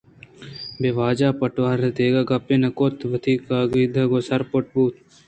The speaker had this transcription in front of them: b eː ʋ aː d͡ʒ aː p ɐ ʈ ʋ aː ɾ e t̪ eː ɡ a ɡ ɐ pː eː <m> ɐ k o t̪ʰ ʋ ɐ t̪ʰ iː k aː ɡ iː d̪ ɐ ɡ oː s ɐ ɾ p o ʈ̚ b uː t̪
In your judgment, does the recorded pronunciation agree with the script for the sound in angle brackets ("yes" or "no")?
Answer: no